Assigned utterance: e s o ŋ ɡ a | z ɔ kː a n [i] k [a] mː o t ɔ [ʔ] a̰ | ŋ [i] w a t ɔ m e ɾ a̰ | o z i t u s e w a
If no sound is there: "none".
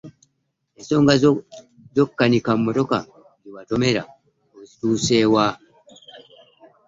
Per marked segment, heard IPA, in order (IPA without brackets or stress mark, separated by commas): i, a, k, i